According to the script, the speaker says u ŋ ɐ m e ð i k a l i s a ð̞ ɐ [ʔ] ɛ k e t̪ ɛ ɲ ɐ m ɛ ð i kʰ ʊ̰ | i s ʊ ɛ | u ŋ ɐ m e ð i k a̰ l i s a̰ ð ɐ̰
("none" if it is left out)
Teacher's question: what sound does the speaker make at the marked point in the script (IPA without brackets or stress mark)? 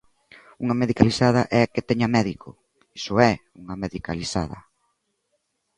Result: ʔ